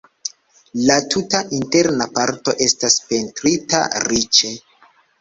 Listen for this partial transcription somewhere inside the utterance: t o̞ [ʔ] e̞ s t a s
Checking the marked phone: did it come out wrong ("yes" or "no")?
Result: no